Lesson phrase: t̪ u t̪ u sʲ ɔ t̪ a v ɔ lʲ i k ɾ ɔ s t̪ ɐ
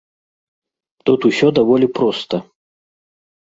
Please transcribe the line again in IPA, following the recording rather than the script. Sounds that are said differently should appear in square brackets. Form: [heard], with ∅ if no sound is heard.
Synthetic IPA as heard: t̪ u t̪ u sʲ ɔ [d̪] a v ɔ lʲ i [p] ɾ ɔ s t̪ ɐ

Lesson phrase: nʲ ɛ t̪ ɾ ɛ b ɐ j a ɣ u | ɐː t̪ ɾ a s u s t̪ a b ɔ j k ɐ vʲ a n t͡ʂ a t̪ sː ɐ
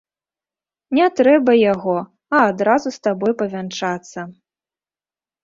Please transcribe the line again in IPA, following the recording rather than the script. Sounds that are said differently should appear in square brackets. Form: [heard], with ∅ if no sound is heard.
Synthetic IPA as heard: nʲ ɛ t̪ ɾ ɛ b ɐ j a ɣ [ɔ] | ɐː [d̪] ɾ a [z] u s t̪ a b ɔ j [p] ɐ vʲ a n t͡ʂ a t̪ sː ɐ

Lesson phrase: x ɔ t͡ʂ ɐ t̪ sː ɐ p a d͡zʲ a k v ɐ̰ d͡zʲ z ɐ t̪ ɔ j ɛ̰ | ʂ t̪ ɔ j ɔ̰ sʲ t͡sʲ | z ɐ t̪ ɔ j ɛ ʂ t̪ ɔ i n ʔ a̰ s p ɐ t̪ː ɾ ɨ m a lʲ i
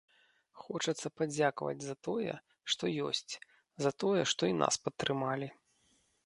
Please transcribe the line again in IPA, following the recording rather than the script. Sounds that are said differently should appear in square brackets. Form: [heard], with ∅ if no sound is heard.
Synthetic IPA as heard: x ɔ t͡ʂ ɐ t̪ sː ɐ p a d͡zʲ a k v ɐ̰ d͡zʲ z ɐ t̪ ɔ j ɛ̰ | ʂ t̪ ɔ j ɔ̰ sʲ t͡sʲ | z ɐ t̪ ɔ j ɛ ʂ t̪ ɔ i n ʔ a̰ s p ɐ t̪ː ɾ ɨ m a lʲ i

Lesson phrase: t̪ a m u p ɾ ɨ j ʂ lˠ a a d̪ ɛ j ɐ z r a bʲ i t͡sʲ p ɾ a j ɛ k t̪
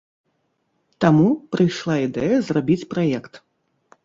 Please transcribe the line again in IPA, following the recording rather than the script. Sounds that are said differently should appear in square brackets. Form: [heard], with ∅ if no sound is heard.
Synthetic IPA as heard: t̪ a m u p ɾ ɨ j ʂ lˠ a [i] d̪ ɛ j ɐ z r a bʲ i t͡sʲ p ɾ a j ɛ k t̪

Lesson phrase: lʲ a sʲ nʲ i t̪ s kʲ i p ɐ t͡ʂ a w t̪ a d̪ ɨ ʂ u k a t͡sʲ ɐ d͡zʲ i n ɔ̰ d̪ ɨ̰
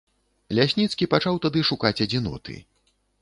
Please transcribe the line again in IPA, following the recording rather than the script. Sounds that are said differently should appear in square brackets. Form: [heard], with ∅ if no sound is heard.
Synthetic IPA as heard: lʲ a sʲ nʲ i t̪ s kʲ i p [a] t͡ʂ a w t̪ a d̪ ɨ ʂ u k a t͡sʲ ɐ d͡zʲ i n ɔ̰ [t̪] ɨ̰

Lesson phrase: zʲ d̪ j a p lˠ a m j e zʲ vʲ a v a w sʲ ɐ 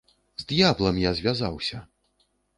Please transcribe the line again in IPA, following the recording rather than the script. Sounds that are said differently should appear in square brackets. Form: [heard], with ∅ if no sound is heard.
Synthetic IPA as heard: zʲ d̪ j a [b] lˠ [ɐ] m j [a] zʲ vʲ a [z] a w sʲ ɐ

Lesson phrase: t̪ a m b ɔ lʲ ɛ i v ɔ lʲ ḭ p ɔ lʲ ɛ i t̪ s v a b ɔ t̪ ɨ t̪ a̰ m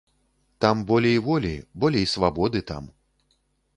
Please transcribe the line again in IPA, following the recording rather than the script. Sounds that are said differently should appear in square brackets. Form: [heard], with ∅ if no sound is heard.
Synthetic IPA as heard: t̪ a m b ɔ lʲ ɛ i v ɔ lʲ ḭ [b] ɔ lʲ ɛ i [∅] s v a b ɔ [d̪] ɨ t̪ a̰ m

